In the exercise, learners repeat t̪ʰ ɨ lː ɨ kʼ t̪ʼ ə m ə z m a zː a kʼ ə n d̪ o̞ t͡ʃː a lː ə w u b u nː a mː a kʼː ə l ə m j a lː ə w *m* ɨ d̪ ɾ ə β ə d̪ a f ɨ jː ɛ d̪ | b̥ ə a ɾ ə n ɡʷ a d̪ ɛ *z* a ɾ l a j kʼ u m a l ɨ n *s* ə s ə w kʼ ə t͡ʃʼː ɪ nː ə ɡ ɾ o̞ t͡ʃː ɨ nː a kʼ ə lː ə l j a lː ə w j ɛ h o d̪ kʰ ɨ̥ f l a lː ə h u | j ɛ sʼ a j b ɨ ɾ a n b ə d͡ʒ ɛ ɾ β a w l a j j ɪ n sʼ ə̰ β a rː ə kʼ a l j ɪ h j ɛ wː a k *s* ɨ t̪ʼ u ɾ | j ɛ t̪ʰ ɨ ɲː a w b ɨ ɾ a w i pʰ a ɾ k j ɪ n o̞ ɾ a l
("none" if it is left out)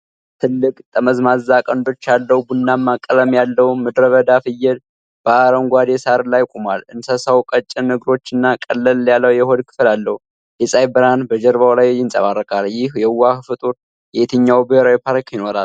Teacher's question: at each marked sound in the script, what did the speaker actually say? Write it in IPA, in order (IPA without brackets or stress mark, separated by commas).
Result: m, s, s, f